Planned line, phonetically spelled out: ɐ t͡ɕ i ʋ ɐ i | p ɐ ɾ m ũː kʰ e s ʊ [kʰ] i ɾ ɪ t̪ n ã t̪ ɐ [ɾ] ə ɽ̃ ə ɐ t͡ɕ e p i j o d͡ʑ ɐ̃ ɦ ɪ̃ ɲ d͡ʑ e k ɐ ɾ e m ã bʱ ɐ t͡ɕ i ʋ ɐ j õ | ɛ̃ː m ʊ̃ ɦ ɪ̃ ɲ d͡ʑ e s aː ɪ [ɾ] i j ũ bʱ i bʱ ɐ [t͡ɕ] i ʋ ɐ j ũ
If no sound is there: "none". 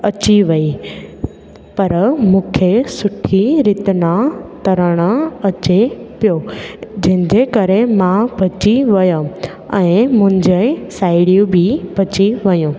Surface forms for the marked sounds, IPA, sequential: ʈʰ, ɾ, ɽ, t͡ɕ

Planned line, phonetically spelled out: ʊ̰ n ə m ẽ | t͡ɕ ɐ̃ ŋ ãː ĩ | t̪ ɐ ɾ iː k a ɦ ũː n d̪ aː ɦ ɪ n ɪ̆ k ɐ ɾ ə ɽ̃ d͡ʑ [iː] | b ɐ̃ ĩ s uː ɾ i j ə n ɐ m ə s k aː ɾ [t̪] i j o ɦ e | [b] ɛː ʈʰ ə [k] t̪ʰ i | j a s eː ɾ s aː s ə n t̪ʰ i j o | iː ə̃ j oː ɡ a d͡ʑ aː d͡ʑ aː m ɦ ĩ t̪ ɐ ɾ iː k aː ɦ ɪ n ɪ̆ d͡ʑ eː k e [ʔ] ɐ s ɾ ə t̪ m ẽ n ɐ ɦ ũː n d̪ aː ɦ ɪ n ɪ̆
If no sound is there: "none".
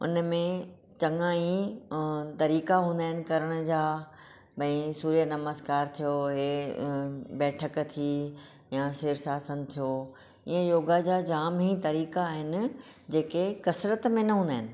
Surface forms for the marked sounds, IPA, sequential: aː, t̪ʰ, b, k, k

